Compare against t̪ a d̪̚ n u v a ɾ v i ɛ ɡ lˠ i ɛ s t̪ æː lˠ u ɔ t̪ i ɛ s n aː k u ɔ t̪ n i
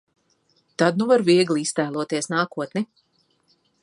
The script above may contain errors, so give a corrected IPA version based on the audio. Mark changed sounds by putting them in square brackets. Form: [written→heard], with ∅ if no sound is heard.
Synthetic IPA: t̪ a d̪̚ n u v a ɾ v i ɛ ɡ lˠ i [ɛ→i] s t̪ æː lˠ u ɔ t̪ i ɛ s n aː k u ɔ t̪ n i